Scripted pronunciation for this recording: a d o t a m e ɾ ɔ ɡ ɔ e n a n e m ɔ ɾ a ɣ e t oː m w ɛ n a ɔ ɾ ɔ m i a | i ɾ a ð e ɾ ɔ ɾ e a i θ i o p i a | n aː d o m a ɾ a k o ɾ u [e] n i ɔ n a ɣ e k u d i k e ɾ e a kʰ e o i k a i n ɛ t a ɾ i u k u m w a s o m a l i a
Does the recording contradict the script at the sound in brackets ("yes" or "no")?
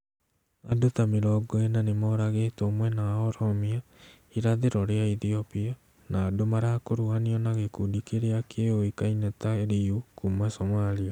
yes